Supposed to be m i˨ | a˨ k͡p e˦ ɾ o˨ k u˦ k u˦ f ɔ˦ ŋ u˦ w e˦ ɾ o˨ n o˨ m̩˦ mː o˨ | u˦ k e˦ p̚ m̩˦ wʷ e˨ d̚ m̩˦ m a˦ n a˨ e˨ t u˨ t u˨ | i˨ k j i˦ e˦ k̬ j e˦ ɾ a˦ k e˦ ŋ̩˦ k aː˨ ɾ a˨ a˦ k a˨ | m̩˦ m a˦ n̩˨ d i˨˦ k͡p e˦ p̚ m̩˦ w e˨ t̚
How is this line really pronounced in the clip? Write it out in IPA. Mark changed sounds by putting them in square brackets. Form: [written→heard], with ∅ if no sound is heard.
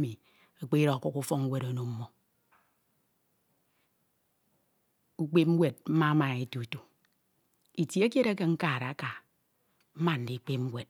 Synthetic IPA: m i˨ | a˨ k͡p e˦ ɾ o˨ k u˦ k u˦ f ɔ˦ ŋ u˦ w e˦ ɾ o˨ n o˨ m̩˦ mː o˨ | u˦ [k→k͡p] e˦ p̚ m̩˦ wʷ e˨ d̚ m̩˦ m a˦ [n→m] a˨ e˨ t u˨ t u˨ | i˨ [k→t] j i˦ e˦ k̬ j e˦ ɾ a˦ k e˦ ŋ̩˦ k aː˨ ɾ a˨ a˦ k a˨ | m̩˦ m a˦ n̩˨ d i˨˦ k͡p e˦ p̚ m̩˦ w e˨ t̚